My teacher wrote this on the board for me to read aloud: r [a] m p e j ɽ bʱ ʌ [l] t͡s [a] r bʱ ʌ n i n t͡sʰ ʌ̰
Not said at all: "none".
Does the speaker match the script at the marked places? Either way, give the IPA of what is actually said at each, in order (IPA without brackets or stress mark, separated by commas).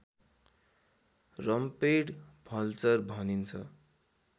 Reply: ʌ, l, ʌ